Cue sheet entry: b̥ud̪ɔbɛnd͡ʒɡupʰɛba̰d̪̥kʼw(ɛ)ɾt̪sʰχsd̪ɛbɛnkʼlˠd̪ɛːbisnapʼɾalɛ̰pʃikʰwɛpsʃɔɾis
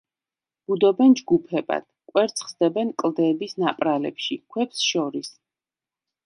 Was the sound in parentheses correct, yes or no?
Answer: yes